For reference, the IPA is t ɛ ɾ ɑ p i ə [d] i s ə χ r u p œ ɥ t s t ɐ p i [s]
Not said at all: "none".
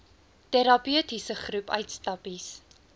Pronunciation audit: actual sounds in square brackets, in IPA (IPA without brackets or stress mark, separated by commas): t, s